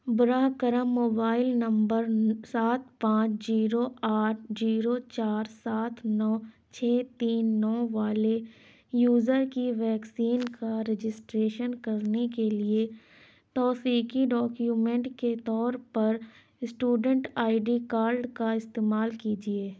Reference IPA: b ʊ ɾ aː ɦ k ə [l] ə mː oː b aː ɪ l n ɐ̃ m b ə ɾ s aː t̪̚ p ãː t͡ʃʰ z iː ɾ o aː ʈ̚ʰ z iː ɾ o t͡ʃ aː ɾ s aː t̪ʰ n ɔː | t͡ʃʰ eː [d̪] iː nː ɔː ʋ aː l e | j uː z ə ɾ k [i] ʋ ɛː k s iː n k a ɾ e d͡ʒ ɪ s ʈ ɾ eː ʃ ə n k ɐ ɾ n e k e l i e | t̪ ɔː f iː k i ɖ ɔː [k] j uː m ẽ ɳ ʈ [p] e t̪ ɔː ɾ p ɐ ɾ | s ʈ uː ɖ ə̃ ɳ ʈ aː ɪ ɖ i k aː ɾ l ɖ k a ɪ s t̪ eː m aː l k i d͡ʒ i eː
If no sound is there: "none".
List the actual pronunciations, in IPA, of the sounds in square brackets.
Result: ɾ, t̪, i, k, k

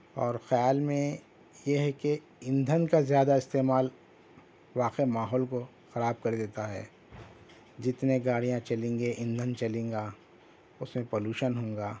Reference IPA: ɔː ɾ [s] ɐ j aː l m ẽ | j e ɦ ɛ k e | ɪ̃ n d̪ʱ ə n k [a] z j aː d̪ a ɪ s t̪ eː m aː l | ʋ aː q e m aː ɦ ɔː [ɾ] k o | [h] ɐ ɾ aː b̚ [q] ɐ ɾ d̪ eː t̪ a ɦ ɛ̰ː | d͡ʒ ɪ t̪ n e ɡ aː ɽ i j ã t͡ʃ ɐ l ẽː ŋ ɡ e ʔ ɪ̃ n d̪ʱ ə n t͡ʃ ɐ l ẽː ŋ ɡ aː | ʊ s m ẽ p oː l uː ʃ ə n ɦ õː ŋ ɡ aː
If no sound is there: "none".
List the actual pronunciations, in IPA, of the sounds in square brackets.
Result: x, a, l, x, k

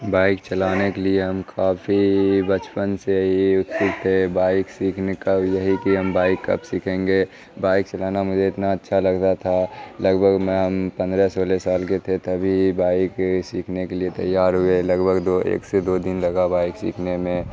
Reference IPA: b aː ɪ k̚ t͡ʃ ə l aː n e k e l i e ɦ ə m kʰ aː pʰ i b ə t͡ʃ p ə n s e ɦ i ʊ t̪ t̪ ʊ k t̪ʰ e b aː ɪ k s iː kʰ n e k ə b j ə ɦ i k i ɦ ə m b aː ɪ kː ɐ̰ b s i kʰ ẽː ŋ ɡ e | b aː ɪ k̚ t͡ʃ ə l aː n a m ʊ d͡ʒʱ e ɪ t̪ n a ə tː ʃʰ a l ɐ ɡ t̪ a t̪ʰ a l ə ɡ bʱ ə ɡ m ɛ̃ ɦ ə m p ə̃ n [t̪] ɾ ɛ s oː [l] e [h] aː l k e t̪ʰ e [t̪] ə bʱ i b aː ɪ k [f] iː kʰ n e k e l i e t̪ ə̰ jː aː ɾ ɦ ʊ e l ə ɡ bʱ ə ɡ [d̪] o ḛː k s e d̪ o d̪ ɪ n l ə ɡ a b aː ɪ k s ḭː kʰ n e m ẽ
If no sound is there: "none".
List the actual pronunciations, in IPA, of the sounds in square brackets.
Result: d̪, l, s, t̪, s, d̪

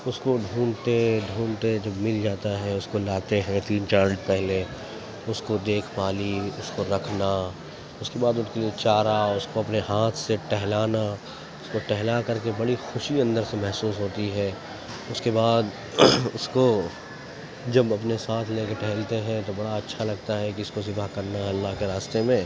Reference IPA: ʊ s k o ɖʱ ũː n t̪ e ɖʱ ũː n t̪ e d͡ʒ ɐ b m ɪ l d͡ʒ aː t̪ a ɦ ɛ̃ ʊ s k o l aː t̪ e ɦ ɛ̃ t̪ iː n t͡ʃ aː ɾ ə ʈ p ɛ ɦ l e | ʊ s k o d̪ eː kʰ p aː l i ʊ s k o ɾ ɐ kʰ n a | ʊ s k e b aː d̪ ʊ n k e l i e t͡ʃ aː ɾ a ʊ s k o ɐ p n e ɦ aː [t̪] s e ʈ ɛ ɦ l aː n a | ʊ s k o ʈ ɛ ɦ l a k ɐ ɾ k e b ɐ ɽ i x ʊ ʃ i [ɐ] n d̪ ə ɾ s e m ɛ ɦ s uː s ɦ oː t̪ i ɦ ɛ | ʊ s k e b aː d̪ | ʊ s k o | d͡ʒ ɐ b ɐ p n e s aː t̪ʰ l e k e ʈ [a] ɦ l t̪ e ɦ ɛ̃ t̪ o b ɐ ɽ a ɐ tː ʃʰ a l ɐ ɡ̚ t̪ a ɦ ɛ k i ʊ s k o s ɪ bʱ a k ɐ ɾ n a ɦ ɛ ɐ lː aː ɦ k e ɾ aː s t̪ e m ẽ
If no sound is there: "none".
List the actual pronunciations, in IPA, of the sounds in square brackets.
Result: t̪ʰ, ɐ̃, ɛ

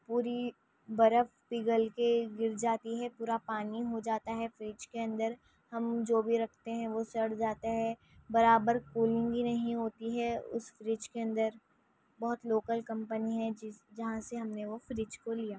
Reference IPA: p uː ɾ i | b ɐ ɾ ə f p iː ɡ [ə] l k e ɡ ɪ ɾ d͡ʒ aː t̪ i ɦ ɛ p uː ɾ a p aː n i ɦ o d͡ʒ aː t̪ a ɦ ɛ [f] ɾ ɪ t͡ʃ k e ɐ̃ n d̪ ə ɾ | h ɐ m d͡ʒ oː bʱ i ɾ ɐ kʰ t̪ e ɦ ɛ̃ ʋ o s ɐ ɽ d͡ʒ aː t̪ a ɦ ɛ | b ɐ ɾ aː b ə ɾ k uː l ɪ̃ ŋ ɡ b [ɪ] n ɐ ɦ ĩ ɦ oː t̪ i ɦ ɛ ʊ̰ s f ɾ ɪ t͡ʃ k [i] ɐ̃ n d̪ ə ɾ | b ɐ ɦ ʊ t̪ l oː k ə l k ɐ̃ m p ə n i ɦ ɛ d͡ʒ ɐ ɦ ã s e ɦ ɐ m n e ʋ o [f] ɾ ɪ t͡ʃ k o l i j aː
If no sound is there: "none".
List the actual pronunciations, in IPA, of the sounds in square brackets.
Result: ə, f, i, e, f

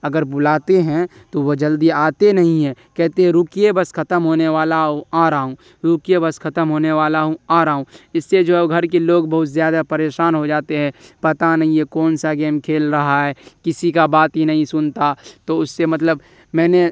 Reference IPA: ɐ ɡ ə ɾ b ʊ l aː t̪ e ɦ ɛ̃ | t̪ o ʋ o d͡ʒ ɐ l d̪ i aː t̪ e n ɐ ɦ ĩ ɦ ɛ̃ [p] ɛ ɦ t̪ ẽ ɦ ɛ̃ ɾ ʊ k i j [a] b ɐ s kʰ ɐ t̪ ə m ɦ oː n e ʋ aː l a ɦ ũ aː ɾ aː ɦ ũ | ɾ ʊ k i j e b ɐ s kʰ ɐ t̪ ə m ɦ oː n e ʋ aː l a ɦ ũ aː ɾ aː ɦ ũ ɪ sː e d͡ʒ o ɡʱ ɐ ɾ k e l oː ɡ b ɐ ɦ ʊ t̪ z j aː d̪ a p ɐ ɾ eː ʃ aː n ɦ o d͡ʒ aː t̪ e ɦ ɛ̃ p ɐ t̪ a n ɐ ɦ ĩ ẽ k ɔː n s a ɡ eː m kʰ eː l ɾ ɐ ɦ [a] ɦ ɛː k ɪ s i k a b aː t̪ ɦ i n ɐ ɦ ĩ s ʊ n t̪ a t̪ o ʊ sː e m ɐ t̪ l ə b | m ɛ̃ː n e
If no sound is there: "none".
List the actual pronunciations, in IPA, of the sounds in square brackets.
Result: k, e, a

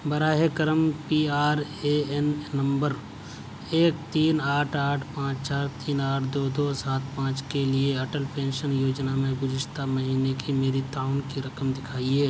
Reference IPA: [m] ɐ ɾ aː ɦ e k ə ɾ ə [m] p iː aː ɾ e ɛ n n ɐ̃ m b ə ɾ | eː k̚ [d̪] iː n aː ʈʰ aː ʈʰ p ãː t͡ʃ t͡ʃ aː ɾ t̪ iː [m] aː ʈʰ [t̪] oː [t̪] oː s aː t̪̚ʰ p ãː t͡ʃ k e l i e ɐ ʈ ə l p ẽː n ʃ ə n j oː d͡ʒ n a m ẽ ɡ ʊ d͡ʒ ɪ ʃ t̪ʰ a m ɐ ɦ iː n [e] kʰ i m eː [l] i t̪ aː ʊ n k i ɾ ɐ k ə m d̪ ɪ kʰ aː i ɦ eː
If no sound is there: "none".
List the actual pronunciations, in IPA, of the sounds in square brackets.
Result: b, m, t̪, n, d̪, d̪, e, ɾ

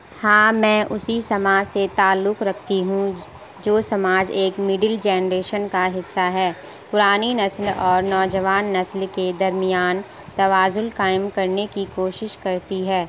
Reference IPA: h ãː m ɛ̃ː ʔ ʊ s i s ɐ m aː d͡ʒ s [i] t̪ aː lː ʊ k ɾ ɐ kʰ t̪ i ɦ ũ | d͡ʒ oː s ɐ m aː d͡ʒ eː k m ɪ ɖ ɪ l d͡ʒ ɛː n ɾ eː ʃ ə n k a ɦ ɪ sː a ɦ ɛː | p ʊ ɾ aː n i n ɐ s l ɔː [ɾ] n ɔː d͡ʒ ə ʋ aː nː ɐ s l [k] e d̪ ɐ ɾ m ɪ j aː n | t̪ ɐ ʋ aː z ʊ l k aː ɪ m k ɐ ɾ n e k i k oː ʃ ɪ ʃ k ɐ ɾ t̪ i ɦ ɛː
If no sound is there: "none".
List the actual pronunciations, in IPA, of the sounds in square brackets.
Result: e, ɾ, k

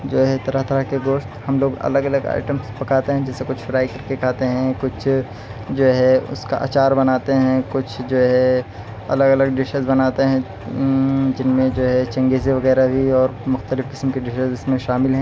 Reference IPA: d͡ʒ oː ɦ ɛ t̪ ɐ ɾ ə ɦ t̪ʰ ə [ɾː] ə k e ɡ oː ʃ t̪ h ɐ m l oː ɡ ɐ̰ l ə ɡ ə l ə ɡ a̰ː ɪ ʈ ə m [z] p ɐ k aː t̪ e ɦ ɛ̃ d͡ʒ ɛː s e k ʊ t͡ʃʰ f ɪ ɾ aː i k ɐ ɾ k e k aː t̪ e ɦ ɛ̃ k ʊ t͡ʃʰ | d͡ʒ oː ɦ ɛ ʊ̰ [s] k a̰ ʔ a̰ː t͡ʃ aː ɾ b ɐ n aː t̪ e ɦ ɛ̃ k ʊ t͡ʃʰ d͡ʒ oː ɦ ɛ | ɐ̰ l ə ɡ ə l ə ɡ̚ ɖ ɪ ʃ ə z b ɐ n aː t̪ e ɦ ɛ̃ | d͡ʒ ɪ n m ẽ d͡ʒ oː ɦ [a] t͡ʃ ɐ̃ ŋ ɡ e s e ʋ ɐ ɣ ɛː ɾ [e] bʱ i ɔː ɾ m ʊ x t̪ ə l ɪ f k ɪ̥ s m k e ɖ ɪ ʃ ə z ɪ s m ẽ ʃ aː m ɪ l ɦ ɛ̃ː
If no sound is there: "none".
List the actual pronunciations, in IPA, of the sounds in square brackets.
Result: ɾ, s, s, ɛ, a

